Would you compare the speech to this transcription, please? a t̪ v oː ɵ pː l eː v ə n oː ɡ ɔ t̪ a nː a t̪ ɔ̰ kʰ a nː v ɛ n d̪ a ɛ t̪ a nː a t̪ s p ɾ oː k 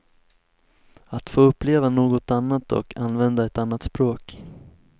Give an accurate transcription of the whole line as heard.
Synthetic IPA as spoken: a t̪ f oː ɵ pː l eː v a n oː ɡ ɔ t̪ a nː a t̪ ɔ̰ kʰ a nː v ɛ n d̪ a ɛ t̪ a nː a t̪ s p ɾ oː k